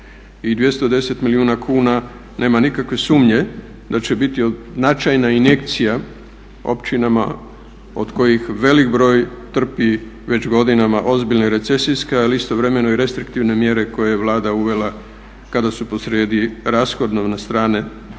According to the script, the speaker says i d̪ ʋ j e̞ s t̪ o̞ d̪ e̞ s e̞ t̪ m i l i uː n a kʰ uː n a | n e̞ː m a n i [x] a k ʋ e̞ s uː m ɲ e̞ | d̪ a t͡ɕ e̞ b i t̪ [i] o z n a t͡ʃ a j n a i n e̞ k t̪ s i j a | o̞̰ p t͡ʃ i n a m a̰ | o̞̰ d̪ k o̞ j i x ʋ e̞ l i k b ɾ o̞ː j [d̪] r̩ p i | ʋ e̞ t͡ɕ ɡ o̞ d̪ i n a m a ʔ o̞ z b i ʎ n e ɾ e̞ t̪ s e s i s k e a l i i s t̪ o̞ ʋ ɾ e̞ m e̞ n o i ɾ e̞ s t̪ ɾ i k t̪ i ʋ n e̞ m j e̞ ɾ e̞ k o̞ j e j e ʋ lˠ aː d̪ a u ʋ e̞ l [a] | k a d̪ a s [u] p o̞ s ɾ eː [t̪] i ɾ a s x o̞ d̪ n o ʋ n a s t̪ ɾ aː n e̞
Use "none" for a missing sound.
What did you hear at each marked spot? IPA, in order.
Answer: k, i, t̪, a, u, d̪

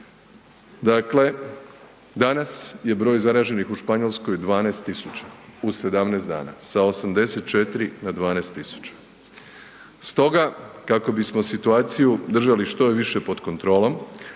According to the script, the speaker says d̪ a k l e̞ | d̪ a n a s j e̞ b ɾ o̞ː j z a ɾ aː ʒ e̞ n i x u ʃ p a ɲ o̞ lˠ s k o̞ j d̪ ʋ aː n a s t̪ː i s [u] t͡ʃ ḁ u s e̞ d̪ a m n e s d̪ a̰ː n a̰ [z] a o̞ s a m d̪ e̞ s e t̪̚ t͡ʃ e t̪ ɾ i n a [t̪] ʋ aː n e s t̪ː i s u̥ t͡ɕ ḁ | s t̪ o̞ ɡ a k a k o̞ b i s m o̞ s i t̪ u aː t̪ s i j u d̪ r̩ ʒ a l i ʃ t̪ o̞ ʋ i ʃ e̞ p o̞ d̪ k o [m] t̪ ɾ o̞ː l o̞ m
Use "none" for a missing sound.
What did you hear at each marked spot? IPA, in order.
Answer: u, s, d̪, n

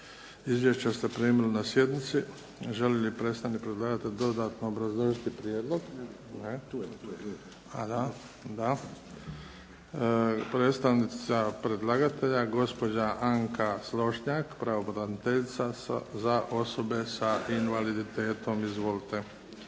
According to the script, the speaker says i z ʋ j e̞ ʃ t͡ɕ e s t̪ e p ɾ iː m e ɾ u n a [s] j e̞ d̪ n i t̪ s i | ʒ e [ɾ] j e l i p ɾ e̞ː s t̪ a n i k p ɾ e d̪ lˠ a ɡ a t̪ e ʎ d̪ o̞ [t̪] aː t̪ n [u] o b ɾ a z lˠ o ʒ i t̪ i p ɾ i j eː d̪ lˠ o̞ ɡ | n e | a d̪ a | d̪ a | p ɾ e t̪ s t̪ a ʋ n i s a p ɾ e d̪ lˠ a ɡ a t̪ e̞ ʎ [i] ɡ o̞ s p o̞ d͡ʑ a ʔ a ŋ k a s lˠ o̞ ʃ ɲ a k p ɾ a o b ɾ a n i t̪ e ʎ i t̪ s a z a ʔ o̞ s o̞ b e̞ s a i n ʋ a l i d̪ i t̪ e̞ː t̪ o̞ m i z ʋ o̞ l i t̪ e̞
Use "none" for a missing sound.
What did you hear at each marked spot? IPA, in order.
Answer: s, l, d̪, o, a

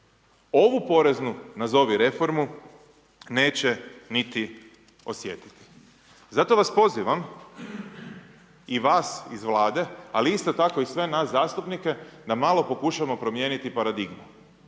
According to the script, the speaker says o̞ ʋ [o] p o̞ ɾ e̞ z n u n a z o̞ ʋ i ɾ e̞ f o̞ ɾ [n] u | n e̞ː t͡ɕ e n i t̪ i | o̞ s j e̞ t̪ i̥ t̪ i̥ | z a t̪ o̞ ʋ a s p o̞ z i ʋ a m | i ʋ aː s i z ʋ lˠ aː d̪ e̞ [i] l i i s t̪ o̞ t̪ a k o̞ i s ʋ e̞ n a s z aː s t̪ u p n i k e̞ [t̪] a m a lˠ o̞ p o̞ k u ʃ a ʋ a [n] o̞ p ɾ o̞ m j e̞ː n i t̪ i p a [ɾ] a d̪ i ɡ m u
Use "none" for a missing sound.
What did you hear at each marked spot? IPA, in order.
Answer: u, m, a, d̪, m, ɾ

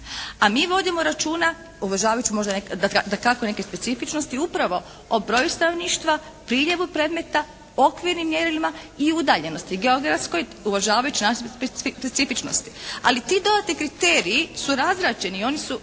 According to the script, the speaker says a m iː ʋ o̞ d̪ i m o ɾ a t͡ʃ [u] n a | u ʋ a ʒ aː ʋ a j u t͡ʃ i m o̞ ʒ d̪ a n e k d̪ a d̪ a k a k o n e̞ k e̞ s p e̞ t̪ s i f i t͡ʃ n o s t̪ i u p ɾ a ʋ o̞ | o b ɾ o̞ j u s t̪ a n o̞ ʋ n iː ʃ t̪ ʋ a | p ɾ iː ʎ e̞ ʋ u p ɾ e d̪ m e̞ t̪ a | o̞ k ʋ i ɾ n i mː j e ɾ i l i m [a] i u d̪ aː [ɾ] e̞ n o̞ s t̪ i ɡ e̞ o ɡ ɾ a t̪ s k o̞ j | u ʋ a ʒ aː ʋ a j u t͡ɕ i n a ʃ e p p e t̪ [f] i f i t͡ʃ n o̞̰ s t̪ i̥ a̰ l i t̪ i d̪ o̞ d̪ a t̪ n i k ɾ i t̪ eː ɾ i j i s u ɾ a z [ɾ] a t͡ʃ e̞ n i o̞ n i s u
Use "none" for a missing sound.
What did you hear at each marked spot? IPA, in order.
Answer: uː, a, ʎ, s, ɾ

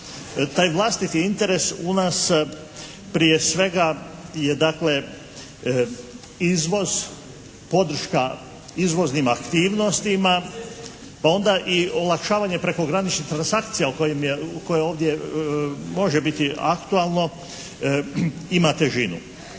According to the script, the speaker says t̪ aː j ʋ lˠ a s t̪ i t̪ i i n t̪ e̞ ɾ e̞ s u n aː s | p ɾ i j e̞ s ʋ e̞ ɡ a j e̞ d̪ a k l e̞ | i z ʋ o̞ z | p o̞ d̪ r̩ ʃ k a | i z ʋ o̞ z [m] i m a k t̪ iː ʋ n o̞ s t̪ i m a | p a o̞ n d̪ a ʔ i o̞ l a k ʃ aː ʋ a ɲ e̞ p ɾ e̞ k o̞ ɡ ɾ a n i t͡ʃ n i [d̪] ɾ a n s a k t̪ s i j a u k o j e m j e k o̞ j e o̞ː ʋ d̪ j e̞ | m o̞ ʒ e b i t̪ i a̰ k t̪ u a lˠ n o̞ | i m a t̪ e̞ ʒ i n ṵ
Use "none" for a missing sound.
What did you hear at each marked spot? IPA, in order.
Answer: n, t̪

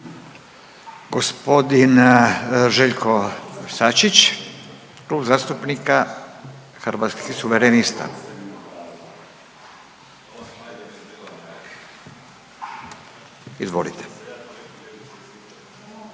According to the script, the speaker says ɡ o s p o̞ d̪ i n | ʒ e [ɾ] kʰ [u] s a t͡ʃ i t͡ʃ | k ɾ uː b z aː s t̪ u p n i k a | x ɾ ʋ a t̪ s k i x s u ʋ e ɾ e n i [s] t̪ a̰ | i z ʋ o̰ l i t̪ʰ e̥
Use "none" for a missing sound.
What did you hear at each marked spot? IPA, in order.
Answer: ʎ, o, s

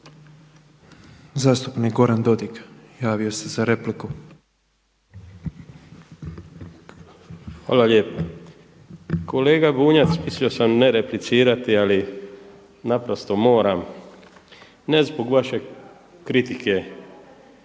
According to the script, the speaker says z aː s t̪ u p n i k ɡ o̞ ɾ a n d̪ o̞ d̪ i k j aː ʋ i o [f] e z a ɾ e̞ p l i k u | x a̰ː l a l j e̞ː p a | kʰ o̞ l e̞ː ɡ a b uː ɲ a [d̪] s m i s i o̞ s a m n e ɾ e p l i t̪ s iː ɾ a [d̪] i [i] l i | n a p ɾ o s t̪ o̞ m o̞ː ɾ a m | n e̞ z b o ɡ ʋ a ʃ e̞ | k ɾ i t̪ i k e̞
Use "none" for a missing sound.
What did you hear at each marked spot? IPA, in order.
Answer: s, t̪, t̪, a

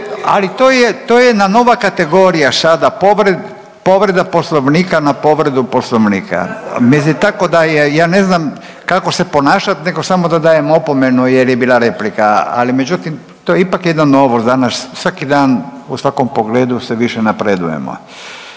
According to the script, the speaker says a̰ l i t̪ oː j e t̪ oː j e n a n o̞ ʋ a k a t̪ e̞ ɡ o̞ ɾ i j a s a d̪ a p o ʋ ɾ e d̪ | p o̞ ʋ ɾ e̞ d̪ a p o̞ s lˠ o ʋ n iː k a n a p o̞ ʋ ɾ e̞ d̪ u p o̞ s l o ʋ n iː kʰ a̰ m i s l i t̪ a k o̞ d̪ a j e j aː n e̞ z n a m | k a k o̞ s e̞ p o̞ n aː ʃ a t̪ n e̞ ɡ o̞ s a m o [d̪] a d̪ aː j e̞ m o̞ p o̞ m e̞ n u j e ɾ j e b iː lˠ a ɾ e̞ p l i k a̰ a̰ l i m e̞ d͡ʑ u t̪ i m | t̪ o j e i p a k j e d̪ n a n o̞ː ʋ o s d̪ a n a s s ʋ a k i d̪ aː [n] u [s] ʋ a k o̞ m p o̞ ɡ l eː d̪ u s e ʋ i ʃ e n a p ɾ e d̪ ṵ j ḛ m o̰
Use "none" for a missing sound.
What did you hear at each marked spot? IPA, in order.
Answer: d̪, n, s

